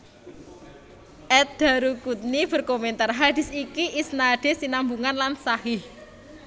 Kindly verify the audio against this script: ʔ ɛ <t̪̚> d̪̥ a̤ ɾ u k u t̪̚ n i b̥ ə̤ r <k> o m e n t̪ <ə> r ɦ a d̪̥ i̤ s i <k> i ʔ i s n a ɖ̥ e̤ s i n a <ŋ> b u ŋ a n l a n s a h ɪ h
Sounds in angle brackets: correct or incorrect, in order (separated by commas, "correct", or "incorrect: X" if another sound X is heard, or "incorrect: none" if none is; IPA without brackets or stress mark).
correct, correct, incorrect: a, correct, incorrect: m